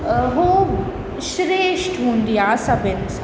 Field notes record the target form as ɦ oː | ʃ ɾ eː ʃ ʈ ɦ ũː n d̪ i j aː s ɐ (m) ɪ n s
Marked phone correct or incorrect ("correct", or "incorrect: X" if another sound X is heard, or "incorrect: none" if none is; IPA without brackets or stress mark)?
incorrect: b